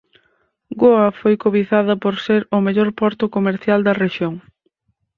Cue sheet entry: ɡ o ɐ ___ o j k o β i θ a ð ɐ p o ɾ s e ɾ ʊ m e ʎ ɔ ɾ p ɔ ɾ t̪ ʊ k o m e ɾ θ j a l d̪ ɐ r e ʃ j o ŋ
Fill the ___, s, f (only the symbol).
f